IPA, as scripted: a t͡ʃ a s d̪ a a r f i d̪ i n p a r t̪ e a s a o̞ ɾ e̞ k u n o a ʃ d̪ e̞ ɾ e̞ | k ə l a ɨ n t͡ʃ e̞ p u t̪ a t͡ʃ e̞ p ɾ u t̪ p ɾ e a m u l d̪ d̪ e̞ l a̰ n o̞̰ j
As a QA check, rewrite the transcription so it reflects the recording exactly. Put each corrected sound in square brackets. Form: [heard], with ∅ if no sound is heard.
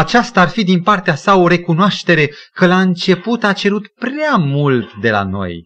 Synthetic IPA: a t͡ʃ a s [t̪] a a r f i d̪ i n p a r t̪ e a s a o̞ ɾ e̞ k u n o a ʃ [t̪] e̞ ɾ e̞ | k ə l a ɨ n t͡ʃ e̞ p u t̪ a t͡ʃ e̞ [∅] ɾ u t̪ p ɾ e a m u l [t̪] d̪ e̞ l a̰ n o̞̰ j